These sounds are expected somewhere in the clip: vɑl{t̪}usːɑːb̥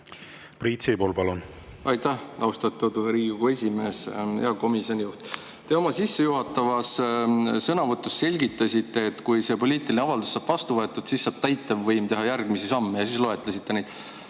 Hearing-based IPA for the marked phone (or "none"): d̪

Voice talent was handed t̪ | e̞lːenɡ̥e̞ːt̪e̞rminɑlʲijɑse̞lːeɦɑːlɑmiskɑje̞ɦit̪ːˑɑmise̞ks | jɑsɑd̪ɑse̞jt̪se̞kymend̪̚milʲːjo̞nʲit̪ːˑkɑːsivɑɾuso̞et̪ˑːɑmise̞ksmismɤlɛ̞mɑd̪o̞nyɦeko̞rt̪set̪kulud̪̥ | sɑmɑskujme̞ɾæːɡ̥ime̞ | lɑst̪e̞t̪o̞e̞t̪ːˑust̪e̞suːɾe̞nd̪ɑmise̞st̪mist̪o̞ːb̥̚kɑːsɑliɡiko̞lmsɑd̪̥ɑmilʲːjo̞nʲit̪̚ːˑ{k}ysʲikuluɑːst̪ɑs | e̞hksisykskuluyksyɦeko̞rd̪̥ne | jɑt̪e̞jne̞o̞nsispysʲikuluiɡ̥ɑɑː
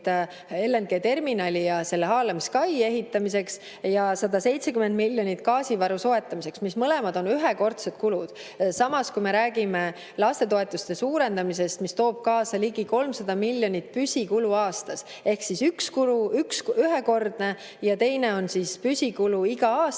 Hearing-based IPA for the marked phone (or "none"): p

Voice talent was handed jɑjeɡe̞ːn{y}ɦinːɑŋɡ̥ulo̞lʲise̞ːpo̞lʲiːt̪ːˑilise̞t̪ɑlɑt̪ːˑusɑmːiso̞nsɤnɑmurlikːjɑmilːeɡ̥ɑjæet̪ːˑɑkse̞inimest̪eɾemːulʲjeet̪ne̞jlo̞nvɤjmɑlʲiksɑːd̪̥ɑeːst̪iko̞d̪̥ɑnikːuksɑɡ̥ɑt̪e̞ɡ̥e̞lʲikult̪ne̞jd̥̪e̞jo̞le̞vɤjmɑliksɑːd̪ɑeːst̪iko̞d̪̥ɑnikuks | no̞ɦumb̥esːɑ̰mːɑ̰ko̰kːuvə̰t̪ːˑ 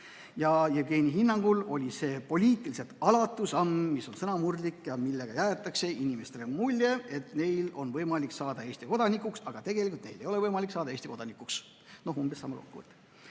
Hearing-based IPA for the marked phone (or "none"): i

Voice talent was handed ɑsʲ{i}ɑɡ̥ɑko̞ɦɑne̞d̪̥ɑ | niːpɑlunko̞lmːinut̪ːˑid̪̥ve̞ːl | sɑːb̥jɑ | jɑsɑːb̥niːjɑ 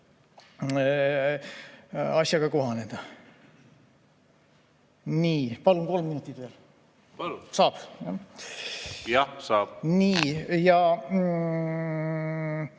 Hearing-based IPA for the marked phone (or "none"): j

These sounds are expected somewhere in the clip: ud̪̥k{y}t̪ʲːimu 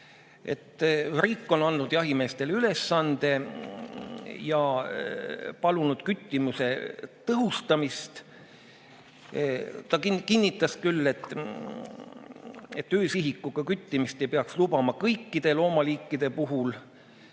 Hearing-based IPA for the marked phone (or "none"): y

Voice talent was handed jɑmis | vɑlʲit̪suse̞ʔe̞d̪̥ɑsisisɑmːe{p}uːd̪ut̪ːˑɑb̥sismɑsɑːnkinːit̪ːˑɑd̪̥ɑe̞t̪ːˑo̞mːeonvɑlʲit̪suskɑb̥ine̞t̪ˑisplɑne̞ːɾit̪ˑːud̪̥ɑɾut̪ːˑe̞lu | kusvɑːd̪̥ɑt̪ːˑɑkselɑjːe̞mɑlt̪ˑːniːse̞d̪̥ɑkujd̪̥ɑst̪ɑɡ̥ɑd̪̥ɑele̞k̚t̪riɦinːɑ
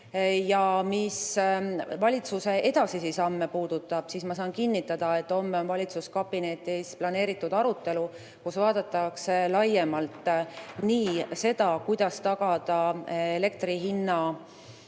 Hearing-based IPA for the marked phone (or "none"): p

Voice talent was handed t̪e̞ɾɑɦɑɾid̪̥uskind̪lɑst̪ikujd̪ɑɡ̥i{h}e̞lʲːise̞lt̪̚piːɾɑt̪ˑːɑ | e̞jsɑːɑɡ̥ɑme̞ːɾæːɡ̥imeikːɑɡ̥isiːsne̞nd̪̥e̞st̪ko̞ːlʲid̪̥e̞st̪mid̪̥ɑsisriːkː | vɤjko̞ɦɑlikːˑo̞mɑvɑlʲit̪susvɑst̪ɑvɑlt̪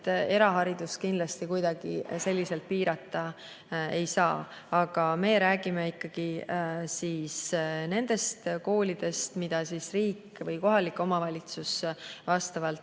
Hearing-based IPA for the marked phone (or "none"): s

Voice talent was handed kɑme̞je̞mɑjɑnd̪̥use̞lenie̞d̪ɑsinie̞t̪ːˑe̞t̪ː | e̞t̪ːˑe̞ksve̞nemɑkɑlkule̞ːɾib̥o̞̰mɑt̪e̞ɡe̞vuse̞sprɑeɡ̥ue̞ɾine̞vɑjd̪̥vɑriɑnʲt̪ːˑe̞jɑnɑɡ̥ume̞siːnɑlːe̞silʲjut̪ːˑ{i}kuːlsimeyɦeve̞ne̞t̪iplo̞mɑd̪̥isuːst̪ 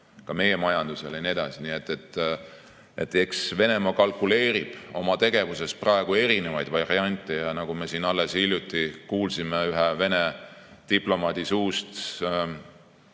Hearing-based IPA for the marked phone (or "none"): i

